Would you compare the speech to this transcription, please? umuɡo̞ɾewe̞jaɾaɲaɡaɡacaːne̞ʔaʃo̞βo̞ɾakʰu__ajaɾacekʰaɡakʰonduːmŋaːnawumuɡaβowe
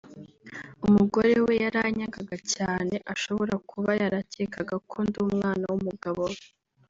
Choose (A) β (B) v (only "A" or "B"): A